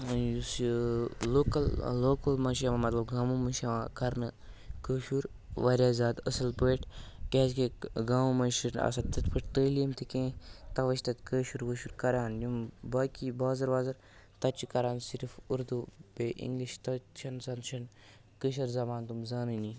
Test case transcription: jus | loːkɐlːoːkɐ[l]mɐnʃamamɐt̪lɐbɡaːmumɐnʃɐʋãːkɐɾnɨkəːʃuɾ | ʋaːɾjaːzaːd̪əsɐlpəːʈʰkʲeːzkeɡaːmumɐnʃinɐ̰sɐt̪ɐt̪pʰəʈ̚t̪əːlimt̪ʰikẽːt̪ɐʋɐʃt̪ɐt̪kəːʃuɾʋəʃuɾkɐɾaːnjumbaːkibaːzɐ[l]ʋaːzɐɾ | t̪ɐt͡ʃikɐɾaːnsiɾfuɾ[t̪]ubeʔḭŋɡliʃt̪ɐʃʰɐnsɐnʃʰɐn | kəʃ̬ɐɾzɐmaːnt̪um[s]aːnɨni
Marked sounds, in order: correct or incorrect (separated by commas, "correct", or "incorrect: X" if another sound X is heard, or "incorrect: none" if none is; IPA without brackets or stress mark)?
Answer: correct, incorrect: ɾ, incorrect: d̪, incorrect: z